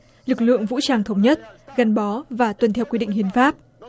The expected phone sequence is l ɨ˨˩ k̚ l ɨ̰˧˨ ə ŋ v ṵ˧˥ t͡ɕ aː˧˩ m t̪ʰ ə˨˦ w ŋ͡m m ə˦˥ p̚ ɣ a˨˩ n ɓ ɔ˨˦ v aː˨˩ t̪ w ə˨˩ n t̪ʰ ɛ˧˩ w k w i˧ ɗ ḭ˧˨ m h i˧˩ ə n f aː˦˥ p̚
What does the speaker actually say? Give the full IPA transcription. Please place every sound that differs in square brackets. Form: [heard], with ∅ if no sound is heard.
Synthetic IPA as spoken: l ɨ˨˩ k̚ l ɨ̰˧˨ ə ŋ v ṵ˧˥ t͡ɕ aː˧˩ [ŋ] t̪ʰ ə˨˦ w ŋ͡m [ɲ] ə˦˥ [t̚] ɣ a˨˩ n ɓ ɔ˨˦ v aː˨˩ t̪ w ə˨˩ n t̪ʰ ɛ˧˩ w k w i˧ ɗ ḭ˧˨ [ŋ] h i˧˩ ə n f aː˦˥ p̚